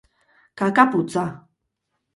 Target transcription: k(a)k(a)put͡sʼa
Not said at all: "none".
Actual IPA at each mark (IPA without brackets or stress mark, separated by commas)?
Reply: a, a